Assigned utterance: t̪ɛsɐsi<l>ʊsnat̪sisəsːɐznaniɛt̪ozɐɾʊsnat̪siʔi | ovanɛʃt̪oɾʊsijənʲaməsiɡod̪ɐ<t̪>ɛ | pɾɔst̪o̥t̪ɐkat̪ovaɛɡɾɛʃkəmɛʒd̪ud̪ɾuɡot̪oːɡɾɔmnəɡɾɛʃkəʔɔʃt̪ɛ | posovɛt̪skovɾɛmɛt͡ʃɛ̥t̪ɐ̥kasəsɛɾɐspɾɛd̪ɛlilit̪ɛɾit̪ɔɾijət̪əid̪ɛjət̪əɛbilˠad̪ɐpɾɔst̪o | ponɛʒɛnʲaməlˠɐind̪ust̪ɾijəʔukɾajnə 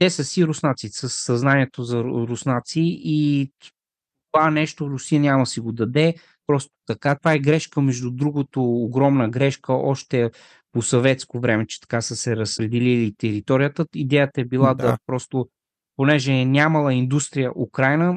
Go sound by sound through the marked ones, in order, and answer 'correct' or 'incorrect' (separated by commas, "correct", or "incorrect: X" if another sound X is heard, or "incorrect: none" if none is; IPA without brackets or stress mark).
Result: incorrect: ɾ, incorrect: d̪